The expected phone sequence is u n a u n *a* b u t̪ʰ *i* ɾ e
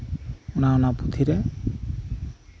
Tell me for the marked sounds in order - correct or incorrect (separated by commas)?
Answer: correct, correct